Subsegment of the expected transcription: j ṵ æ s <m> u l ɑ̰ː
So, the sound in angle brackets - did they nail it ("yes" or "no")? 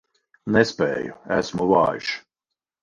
yes